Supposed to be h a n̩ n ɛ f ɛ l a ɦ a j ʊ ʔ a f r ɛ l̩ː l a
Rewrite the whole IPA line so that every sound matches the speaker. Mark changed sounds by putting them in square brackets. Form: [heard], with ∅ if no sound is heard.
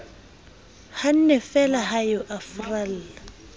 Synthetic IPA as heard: h a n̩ n ɛ f ɛ l a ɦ a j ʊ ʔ a f r [a] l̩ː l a